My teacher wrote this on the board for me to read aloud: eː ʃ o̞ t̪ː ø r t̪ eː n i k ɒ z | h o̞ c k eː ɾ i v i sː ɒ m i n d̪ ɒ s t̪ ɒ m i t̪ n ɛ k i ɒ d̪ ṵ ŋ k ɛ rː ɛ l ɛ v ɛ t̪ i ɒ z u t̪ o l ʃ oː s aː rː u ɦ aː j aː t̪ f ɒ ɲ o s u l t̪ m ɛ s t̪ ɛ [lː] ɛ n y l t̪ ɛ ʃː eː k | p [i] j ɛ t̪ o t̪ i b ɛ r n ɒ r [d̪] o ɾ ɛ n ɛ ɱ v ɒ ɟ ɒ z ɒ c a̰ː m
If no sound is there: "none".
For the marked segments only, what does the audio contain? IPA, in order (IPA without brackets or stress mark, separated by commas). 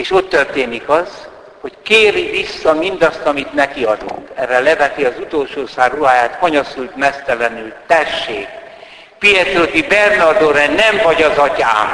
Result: l, i, d̪